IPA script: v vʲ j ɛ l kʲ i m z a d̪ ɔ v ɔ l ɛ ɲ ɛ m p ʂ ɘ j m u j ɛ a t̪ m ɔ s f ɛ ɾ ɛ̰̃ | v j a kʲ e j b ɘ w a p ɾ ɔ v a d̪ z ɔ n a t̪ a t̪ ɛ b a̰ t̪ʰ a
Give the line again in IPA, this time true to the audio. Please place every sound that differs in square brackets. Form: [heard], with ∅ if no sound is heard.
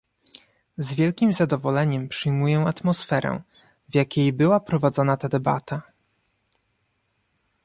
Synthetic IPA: [z] vʲ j ɛ l kʲ i m z a d̪ ɔ v ɔ l ɛ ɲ ɛ m p ʂ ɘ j m u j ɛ a t̪ m ɔ s f ɛ ɾ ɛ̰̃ | v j a kʲ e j b ɘ w a p ɾ ɔ v a d̪ z ɔ n a t̪ a [d̪] ɛ b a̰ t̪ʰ a